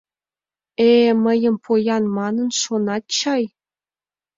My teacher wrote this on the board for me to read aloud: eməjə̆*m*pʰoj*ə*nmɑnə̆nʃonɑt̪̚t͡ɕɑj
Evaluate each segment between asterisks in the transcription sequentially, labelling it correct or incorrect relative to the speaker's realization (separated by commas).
correct, incorrect